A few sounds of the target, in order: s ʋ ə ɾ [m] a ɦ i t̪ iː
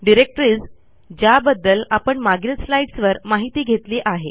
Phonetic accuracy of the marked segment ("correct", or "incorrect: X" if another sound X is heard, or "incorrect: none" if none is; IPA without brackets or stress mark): correct